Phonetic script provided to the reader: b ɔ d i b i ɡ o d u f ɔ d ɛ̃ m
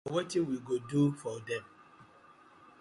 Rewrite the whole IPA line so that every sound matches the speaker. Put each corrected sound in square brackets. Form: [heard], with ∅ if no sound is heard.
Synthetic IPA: [w] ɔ [t] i [w] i ɡ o d u f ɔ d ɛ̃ m